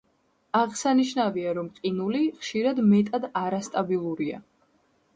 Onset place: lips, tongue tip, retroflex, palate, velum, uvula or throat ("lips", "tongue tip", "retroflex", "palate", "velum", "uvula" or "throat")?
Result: uvula